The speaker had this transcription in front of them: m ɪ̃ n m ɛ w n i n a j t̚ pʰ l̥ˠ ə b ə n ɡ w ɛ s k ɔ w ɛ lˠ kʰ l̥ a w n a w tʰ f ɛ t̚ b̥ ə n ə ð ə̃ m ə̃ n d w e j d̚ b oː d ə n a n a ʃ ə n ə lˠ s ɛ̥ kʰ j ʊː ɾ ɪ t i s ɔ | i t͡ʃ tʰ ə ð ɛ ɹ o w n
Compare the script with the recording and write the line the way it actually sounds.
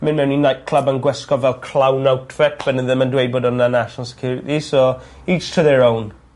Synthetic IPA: m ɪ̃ n m ɛ w n i n a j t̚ kʰ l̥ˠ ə b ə n ɡ w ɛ s k ɔ v ɛ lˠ kʰ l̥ a w n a w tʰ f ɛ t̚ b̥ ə n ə ð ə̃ m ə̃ n d w e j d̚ b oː d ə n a n a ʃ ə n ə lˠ s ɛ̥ kʰ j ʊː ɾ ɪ t i s ɔ | i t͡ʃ tʰ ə ð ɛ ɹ o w n